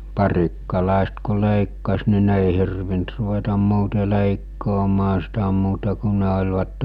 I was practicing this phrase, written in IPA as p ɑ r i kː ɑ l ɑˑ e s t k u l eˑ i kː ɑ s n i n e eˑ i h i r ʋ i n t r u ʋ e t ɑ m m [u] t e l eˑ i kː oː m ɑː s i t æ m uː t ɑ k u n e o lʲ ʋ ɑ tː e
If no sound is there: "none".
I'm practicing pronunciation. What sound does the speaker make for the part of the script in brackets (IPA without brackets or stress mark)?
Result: uː